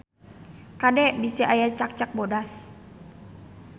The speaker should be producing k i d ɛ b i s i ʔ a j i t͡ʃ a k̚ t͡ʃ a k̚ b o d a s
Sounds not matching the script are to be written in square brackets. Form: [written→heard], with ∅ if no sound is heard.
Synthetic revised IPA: k [i→a] d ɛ b i s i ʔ a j [i→a] t͡ʃ a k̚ t͡ʃ a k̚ b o d a s